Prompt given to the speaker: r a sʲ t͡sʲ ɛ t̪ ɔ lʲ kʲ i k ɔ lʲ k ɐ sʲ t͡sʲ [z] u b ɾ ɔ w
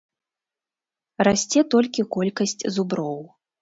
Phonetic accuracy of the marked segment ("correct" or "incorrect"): correct